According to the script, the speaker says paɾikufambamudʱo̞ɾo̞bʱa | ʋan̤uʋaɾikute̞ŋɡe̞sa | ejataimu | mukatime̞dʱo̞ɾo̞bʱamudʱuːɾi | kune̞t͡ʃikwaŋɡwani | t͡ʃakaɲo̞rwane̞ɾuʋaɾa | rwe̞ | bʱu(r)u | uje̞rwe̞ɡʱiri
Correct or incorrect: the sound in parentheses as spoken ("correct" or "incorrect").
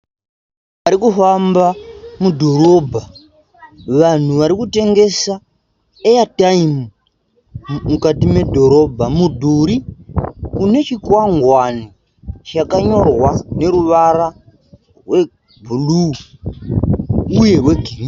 incorrect